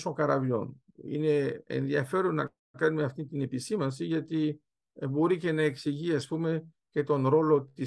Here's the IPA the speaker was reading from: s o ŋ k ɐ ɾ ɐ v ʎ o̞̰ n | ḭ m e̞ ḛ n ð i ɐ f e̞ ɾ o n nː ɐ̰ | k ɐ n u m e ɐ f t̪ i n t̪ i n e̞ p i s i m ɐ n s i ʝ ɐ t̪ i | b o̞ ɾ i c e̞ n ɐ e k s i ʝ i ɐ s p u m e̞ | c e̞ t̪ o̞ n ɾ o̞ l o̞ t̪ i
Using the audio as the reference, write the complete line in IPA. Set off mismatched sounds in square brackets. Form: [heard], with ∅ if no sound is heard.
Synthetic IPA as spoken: s o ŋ k ɐ ɾ ɐ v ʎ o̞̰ n | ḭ [n] e̞ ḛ n ð i ɐ f e̞ ɾ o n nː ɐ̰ | k ɐ n u m e ɐ f t̪ i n t̪ i n e̞ p i s i m ɐ n s i ʝ ɐ t̪ i | b o̞ ɾ i c e̞ n ɐ e k s i ʝ i ɐ s p u m e̞ | c e̞ t̪ o̞ n ɾ o̞ l o̞ t̪ i